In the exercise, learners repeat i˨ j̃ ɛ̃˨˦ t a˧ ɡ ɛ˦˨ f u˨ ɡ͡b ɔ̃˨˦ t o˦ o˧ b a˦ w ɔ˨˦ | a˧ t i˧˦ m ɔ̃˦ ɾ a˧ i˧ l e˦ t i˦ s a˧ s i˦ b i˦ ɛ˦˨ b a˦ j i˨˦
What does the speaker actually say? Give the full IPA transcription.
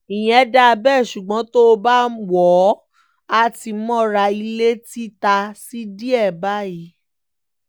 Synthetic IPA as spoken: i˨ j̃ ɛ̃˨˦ d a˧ b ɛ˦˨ ʃ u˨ ɡ͡b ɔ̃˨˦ t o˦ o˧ b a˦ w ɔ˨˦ | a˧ t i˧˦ m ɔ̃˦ ɾ a˧ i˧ l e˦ t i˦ t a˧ s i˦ d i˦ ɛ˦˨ b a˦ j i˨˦